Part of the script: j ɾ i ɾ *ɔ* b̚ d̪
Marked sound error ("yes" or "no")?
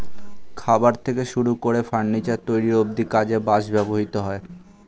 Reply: yes